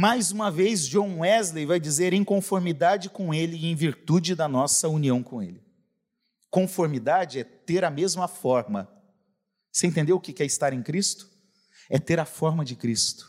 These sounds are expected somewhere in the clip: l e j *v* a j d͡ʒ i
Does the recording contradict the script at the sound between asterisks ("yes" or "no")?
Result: no